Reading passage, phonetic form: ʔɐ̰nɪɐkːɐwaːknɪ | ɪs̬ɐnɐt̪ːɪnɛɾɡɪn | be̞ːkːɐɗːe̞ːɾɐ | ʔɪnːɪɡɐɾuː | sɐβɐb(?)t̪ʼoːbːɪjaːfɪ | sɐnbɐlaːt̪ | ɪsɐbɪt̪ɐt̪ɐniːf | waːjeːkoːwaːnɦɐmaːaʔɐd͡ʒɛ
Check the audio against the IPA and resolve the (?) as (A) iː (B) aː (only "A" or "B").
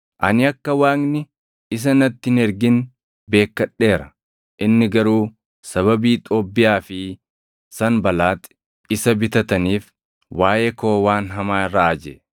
A